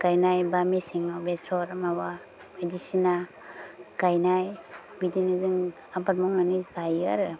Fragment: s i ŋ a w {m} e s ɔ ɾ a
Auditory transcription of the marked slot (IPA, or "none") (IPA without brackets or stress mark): b